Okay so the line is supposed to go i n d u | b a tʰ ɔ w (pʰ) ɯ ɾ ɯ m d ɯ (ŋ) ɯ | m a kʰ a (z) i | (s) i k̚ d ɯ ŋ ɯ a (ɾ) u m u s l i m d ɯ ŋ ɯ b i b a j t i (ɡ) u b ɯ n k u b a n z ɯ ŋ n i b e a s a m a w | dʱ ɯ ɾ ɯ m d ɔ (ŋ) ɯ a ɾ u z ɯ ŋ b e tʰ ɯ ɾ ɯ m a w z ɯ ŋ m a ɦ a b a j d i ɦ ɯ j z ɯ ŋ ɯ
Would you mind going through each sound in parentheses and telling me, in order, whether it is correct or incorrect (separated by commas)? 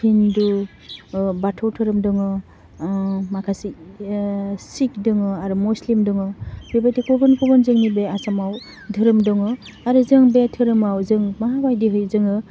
incorrect, correct, incorrect, correct, correct, incorrect, correct